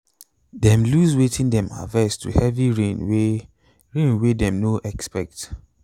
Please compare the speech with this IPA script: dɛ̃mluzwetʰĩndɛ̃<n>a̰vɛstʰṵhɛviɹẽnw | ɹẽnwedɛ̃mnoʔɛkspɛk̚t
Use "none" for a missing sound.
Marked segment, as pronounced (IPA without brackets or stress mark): m